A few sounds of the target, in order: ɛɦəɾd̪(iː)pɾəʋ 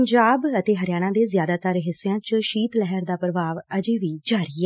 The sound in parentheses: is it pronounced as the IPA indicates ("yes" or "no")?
no